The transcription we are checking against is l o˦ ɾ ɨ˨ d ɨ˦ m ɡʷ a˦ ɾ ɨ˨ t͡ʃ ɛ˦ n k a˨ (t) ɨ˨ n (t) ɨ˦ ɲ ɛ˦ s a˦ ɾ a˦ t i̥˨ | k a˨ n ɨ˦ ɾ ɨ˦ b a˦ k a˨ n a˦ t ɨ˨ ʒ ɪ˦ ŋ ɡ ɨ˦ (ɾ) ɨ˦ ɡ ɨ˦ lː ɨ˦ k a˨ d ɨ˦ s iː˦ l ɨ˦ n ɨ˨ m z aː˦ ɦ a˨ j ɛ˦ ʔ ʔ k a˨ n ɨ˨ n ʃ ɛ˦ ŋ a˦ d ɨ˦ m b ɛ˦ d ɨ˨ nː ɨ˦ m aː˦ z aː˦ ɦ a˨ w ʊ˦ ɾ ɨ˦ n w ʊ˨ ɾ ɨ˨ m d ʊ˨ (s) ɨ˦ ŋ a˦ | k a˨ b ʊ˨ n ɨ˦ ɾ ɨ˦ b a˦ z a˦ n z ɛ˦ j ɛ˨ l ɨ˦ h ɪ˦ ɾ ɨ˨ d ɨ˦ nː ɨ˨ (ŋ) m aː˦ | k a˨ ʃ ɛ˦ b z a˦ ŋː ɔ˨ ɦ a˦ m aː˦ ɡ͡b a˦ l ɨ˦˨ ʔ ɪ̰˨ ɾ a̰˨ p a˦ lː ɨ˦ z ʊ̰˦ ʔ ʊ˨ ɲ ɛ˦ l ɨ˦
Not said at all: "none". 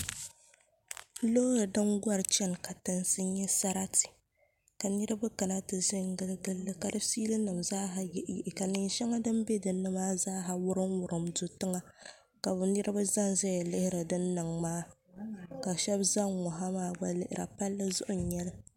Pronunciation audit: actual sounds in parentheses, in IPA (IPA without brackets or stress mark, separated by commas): t, s, l, t, ŋ